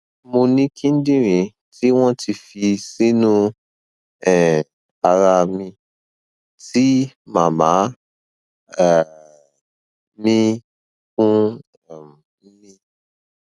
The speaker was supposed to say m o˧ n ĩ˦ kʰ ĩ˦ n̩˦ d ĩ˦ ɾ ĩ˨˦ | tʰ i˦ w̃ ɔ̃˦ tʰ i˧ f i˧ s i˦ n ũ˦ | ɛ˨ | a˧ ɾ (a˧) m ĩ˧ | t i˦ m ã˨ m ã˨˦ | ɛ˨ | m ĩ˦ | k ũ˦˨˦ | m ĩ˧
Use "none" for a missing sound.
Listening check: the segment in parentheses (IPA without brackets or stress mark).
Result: a˧